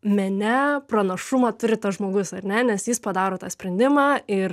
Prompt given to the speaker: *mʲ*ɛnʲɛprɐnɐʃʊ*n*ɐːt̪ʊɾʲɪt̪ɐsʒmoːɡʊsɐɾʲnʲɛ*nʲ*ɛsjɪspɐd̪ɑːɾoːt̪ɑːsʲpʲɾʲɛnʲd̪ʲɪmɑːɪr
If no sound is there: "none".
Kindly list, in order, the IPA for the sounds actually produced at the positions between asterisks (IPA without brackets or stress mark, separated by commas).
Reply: mʲ, m, nʲ